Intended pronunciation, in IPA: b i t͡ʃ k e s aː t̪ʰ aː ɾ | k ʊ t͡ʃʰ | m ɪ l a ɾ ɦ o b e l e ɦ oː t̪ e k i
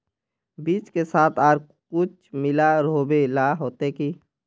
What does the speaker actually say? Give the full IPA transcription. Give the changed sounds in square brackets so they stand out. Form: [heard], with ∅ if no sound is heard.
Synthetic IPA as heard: b [iː] t͡ʃ k e s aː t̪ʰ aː ɾ | k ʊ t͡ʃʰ | m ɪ l a ɾ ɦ o b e l [a] ɦ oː t̪ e k i